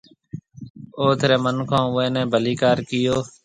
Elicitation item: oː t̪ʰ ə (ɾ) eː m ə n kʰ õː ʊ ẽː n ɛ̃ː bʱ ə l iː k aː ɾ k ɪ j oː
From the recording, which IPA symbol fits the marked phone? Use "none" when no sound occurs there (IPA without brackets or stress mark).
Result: ɾ